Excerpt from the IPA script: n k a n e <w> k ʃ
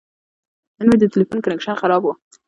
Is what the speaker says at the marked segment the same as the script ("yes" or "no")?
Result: no